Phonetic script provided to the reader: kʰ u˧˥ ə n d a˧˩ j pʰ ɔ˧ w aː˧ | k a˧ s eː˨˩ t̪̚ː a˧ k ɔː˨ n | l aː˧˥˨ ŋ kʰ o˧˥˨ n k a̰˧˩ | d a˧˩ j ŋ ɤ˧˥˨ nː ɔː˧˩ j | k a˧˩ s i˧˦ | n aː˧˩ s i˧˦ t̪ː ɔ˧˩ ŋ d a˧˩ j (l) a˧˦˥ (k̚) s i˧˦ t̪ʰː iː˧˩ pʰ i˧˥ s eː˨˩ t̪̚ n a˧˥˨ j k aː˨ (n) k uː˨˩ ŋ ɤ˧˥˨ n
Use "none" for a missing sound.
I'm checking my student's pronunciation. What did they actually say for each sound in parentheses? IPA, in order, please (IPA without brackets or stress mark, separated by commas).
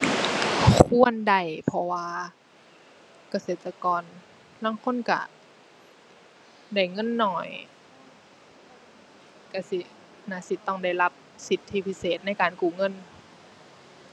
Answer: l, p̚, n